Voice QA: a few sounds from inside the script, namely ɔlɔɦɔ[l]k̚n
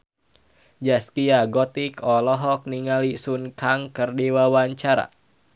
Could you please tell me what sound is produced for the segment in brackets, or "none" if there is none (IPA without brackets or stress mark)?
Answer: none